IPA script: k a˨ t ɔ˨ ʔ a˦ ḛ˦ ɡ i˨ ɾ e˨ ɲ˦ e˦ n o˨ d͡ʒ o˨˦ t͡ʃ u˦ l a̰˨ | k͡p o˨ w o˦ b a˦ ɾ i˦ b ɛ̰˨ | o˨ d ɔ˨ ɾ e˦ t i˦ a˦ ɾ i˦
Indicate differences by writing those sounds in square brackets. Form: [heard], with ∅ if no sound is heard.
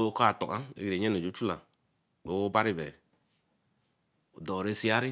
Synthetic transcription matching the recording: k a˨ t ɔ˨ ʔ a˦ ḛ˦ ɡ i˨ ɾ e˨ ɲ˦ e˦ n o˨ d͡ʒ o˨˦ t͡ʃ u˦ l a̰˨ | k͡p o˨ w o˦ b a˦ ɾ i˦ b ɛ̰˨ | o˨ d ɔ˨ ɾ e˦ [s] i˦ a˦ ɾ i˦